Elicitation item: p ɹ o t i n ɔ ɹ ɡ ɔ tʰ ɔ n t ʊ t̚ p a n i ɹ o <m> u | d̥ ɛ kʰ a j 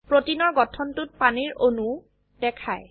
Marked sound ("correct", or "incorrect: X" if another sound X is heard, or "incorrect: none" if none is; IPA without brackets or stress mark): incorrect: n